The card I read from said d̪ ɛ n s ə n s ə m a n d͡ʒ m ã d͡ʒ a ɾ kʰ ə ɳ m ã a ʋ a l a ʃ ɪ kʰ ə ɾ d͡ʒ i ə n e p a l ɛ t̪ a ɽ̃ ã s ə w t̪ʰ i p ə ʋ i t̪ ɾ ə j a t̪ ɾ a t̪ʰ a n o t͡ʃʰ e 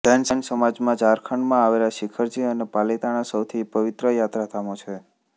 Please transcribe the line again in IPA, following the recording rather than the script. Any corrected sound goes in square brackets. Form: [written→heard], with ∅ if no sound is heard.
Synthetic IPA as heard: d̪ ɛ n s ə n s ə m a [n→∅] d͡ʒ m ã d͡ʒ a ɾ kʰ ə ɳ m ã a ʋ [a→e] l a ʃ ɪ kʰ ə ɾ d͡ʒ i ə n e p a l [ɛ→i] t̪ a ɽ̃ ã s ə w t̪ʰ i p ə ʋ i t̪ ɾ ə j a t̪ ɾ a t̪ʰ a [n→m] o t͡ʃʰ e